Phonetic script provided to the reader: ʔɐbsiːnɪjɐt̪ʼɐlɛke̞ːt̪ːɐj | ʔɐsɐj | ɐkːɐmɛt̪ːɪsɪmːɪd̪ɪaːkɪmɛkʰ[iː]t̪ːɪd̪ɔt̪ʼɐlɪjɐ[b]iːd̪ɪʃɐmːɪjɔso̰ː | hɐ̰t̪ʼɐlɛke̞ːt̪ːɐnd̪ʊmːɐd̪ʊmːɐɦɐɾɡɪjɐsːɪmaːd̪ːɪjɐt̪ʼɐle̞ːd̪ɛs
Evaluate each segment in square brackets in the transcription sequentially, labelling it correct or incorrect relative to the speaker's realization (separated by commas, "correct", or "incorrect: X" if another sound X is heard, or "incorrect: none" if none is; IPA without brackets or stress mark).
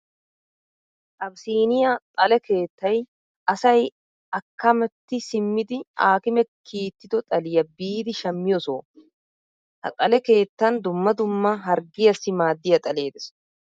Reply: correct, correct